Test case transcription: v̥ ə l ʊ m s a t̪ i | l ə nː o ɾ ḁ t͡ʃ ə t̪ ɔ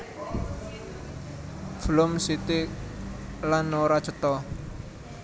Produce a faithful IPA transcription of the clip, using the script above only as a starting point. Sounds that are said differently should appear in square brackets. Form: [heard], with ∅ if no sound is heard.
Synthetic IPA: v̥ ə l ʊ m s [i] t̪ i | l [a] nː o ɾ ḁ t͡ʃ ə t̪ ɔ